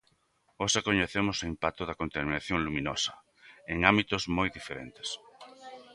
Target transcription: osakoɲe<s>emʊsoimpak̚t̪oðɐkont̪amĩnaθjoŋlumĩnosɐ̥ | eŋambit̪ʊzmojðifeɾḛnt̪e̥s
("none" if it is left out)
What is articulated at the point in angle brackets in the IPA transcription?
θ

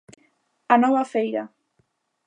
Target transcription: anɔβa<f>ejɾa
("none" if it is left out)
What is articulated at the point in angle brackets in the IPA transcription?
f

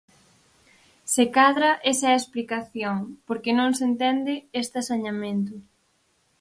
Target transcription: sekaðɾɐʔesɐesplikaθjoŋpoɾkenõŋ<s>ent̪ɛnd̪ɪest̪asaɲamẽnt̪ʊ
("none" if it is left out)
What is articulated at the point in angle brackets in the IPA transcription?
s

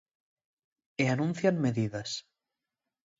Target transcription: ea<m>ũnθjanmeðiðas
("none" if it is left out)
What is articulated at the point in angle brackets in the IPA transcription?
n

